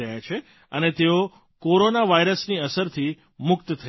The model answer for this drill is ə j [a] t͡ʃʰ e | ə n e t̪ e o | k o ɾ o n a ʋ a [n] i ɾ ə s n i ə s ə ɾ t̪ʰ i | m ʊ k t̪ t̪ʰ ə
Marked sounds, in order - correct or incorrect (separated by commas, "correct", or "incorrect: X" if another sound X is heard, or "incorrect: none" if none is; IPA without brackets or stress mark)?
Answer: correct, incorrect: none